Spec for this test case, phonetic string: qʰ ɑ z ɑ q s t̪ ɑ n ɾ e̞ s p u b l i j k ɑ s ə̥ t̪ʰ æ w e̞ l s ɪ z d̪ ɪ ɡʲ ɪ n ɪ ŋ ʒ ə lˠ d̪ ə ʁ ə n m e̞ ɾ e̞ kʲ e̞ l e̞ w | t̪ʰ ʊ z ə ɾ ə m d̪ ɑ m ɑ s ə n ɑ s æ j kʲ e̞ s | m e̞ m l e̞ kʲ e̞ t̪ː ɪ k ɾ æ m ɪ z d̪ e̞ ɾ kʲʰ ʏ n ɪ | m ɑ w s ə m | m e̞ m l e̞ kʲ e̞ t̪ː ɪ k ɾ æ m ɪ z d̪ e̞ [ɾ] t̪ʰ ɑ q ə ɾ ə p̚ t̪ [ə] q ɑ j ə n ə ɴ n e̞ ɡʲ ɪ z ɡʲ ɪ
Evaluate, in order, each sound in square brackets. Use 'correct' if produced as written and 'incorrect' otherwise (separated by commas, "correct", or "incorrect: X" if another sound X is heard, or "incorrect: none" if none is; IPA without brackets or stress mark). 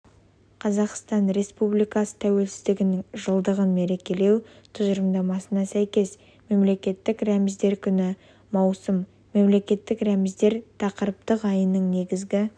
correct, correct